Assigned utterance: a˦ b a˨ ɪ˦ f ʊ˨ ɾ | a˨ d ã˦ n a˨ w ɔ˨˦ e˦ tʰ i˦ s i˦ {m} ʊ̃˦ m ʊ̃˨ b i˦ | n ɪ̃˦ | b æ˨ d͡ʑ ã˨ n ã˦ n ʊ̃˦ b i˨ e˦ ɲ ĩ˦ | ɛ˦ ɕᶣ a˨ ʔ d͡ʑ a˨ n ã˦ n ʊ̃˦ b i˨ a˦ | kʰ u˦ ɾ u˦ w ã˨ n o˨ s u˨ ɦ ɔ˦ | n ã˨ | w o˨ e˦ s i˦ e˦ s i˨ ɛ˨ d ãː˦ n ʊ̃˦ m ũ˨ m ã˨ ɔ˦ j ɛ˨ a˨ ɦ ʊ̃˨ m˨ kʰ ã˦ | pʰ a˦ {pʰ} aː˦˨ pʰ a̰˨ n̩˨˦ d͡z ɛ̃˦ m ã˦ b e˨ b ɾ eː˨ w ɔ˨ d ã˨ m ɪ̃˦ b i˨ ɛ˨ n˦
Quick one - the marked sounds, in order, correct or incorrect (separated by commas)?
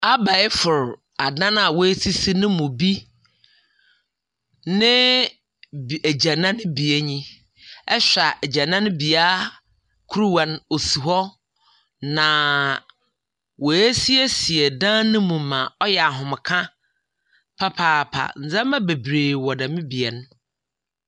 incorrect, correct